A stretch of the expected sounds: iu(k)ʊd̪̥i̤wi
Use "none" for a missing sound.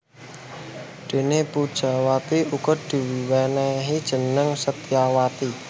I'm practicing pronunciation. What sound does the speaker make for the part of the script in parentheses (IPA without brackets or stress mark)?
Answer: k